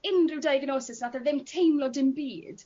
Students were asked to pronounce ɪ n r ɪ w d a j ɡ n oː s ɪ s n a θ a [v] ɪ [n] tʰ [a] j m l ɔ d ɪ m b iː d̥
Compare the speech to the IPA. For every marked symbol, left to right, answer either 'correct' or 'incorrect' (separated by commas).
incorrect, incorrect, incorrect